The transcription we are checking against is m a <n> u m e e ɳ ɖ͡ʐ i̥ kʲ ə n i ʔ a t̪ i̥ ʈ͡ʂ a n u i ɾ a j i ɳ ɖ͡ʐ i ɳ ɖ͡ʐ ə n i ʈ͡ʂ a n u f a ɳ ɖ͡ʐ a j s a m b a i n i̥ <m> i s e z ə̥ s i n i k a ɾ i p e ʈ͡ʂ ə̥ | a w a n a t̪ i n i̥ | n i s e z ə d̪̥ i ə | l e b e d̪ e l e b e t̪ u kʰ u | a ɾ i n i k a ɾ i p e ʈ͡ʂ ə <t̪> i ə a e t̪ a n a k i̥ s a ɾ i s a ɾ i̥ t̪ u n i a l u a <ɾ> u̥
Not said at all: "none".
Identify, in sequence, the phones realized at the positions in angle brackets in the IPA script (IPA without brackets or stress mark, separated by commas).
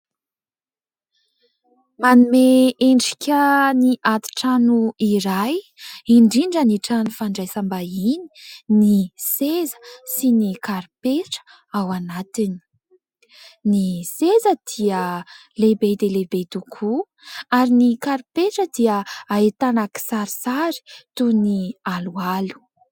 n, n, d̪, l